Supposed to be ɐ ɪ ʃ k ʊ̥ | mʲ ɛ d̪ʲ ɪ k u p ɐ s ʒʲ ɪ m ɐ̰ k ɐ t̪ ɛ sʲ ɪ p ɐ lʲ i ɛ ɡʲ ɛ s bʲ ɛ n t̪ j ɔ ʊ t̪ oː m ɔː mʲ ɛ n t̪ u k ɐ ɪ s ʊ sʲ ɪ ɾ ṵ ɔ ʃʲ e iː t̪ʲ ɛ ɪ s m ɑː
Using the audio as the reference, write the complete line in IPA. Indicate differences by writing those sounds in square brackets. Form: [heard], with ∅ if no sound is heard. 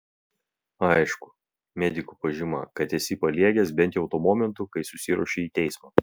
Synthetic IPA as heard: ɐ ɪ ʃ k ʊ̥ | mʲ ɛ d̪ʲ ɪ k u p ɐ [∅] ʒʲ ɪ m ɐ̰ k ɐ t̪ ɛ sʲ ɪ p ɐ lʲ i ɛ ɡʲ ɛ s bʲ ɛ n t̪ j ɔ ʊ t̪ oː m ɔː mʲ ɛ n t̪ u k ɐ ɪ s ʊ sʲ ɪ ɾ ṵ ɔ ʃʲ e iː t̪ʲ ɛ ɪ s m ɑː